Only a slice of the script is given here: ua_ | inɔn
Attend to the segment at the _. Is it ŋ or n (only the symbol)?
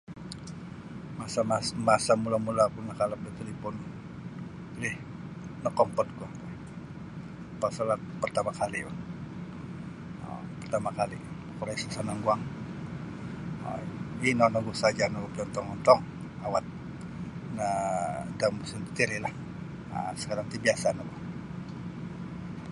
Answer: ŋ